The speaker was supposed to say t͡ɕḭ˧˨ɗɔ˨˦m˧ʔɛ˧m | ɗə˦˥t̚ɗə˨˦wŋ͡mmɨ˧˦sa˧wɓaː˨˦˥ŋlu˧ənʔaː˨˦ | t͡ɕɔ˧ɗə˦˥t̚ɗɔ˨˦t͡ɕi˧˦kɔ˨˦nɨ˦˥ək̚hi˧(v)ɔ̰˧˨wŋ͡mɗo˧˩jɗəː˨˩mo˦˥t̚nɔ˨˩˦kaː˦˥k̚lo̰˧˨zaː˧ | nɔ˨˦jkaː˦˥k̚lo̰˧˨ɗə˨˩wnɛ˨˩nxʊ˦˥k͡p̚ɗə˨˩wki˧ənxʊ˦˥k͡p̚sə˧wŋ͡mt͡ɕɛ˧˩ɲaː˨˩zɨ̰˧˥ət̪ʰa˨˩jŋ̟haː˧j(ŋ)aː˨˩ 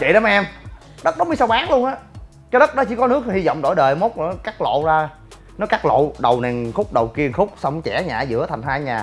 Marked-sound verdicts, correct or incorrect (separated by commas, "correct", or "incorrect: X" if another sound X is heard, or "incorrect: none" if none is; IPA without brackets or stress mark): incorrect: z, incorrect: ɲ